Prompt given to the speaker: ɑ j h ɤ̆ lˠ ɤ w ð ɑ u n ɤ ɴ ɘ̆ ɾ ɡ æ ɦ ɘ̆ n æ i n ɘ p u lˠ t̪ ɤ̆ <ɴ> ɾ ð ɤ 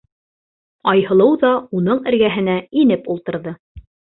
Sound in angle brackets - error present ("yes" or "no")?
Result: yes